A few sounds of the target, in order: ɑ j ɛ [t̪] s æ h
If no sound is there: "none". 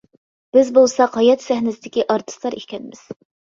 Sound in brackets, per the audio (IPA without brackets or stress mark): t̪